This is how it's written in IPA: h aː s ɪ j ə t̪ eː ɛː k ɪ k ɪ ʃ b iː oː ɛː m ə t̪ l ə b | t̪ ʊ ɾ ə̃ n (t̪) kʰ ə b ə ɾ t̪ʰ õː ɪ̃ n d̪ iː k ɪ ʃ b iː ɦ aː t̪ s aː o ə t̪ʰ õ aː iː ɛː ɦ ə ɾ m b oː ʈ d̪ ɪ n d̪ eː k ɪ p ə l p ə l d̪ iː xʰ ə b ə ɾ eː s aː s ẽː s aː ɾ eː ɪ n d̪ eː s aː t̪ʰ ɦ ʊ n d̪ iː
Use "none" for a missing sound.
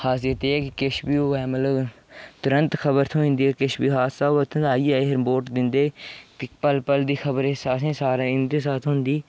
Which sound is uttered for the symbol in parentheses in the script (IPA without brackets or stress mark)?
t̪